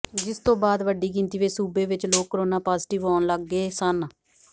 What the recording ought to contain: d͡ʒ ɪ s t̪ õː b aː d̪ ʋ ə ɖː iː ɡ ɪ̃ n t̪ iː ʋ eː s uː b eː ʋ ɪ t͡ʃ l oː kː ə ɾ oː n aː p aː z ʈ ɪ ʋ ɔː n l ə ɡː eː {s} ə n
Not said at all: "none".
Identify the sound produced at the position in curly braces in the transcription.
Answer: s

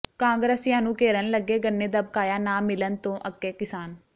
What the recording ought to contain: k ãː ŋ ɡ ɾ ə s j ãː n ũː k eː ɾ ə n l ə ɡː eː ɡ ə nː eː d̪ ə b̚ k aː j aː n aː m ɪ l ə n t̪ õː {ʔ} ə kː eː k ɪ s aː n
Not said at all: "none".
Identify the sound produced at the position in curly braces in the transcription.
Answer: ʔ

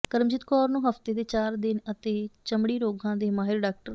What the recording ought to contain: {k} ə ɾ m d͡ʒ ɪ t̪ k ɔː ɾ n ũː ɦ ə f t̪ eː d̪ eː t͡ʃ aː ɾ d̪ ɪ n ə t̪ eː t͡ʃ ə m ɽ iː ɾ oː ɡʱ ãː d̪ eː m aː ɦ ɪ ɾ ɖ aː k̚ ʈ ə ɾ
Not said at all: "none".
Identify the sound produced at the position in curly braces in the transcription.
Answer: k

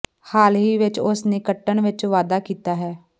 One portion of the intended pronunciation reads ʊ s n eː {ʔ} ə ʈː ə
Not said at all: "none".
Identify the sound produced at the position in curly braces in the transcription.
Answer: k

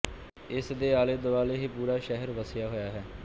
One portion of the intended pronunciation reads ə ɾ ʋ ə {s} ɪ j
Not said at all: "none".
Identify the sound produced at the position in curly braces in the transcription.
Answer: s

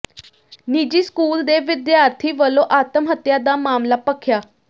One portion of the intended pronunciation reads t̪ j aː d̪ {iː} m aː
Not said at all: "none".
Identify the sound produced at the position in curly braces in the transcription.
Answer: aː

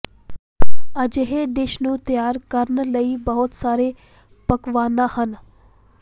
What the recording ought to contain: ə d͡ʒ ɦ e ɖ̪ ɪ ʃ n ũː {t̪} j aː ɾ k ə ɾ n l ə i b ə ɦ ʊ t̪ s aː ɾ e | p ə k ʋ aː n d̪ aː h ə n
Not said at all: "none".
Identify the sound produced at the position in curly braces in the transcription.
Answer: t̪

